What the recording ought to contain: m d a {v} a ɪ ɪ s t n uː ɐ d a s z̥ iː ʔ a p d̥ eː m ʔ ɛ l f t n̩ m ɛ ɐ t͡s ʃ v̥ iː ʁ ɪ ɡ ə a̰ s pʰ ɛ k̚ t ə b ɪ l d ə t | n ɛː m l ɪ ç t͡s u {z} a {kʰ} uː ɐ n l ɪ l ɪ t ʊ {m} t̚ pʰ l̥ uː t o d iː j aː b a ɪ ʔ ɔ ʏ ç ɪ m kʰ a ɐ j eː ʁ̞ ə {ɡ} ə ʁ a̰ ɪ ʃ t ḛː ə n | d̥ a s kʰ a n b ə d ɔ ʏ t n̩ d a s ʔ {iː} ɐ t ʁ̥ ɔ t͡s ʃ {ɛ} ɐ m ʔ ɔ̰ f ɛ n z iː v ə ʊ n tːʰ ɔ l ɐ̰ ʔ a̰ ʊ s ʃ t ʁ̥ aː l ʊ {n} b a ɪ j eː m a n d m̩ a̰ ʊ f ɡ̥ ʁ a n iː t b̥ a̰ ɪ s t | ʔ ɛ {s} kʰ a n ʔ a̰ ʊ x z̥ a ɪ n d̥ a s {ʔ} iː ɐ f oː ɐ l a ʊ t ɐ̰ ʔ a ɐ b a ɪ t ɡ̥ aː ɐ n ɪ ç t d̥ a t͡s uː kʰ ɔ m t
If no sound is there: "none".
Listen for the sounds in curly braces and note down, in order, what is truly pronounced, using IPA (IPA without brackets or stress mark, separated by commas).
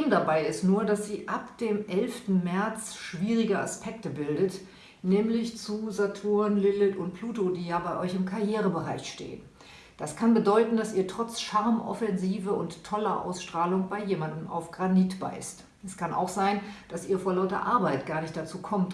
b, z, tʰ, n, b, iː, a, ŋ, s, ʔ